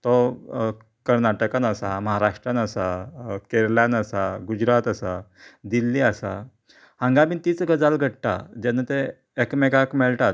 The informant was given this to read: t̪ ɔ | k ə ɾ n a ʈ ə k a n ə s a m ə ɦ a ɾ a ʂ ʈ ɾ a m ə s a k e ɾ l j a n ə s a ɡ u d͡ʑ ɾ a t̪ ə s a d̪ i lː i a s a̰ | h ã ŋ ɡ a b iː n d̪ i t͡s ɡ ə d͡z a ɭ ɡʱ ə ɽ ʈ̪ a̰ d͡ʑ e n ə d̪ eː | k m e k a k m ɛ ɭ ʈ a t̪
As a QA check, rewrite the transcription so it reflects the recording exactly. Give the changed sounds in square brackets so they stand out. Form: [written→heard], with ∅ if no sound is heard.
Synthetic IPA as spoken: t̪ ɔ | k ə ɾ n a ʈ ə k a n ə s a m ə ɦ a ɾ a ʂ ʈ ɾ a [m→n] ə s a k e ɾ l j a n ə s a ɡ u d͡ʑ ɾ a t̪ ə s a d̪ i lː i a s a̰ | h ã ŋ ɡ a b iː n [d̪→t̪] i t͡s ɡ ə d͡z a [ɭ→l] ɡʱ ə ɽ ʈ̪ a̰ d͡ʑ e n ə [d̪→t̪] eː | k m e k a k m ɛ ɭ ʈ a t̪